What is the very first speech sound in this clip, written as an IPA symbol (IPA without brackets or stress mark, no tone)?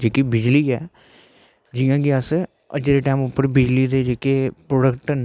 d͡ʒ